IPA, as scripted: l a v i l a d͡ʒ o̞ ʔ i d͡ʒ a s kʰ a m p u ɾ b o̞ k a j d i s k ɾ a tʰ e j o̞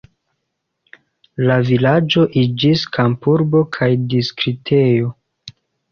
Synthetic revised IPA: l a v i l a d͡ʒ o̞ ʔ i d͡ʒ i s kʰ a m p u ɾ b o̞ kʰ a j d i s k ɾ i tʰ e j o̞